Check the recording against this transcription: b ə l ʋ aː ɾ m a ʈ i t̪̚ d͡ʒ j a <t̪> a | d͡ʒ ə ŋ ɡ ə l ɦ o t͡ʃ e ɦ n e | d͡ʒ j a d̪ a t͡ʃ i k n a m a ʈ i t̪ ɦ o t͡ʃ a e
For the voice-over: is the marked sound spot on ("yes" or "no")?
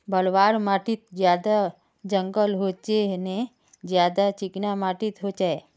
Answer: no